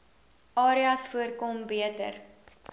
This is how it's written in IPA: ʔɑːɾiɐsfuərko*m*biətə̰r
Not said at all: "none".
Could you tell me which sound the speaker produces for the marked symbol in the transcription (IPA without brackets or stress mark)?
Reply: m